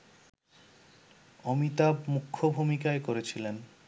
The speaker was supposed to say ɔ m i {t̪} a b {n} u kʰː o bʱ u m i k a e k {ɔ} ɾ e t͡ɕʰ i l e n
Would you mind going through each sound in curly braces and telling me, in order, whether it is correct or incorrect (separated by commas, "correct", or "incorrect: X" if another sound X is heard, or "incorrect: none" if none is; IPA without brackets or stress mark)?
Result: correct, incorrect: m, incorrect: o